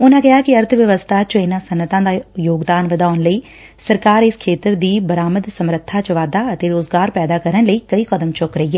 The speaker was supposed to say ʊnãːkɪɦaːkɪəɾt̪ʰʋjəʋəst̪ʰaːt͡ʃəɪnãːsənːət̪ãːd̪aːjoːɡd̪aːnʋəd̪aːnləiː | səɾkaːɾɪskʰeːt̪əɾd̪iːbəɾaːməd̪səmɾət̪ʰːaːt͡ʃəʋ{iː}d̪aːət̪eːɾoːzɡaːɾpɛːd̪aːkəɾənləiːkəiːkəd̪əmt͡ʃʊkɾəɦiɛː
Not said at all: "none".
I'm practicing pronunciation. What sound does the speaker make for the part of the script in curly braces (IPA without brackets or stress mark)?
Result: aː